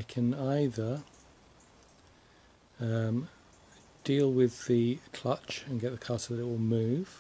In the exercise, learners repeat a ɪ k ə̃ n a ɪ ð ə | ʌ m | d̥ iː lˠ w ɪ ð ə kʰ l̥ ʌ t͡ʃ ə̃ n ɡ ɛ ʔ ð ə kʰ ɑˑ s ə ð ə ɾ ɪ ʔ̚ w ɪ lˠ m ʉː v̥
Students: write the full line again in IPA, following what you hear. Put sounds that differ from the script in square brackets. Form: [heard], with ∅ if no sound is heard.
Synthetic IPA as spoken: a ɪ [kʰ] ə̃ n a ɪ ð ə | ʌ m | d̥ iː lˠ w ɪ ð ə kʰ l̥ ʌ t͡ʃ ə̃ n ɡ ɛ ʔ ð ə kʰ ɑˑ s ə ð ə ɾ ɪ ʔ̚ w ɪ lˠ m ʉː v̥

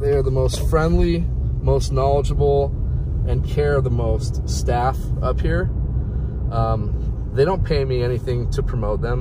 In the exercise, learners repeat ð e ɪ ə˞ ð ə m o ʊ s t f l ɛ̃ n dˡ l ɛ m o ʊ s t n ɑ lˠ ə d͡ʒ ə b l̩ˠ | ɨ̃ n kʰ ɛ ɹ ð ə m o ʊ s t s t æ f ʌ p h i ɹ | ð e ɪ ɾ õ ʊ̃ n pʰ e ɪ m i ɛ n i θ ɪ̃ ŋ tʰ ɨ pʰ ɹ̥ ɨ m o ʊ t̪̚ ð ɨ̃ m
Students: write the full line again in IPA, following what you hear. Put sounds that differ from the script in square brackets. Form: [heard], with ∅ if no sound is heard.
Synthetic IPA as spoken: ð e ɪ ə˞ ð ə m o ʊ s t f [ɹ] ɛ̃ n dˡ l [i] m o ʊ s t n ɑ lˠ ə d͡ʒ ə b l̩ˠ | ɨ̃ n kʰ ɛ ɹ ð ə m o ʊ s t s t æ f ʌ p h i ɹ | ð e ɪ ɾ õ ʊ̃ n pʰ e ɪ m i ɛ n i θ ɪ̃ ŋ tʰ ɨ pʰ ɹ̥ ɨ m o ʊ t̪̚ ð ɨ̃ m

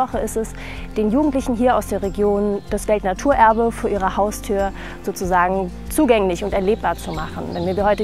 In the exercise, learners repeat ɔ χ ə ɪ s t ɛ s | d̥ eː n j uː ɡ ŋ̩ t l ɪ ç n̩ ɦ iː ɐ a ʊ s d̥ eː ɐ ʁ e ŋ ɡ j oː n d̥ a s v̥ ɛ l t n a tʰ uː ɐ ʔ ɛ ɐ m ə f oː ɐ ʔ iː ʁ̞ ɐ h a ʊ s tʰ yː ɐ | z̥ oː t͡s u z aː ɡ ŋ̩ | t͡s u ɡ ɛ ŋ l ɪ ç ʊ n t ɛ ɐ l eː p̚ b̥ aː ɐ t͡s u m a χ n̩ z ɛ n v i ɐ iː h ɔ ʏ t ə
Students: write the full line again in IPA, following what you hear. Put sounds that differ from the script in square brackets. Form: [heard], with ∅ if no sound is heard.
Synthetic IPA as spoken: ɔ χ ə ɪ s t ɛ s | d̥ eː n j uː ɡ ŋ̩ t l ɪ ç n̩ ɦ iː ɐ a ʊ s d̥ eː ɐ ʁ e [∅] ɡ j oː n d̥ a s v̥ ɛ l t n a tʰ uː ɐ ʔ ɛ ɐ [b] ə f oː ɐ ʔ iː ʁ̞ ɐ h a ʊ s tʰ yː ɐ | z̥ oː t͡s u z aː ɡ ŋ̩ | t͡s [uː] ɡ ɛ ŋ l ɪ ç ʊ n t ɛ ɐ l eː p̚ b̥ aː ɐ t͡s u m a χ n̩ [v] ɛ n v i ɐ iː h ɔ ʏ t ə

